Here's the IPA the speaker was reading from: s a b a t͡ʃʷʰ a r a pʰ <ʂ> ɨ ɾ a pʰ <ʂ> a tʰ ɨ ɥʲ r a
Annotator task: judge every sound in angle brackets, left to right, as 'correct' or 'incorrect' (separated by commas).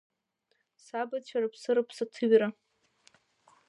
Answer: incorrect, incorrect